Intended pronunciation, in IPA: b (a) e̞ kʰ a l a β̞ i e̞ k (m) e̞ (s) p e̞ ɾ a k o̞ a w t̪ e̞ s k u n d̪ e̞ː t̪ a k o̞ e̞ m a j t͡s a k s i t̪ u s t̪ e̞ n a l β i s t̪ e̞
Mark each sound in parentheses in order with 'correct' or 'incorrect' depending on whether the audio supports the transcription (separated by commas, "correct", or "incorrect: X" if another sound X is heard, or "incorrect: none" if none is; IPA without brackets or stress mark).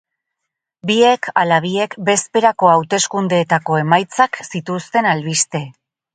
incorrect: i, incorrect: b, correct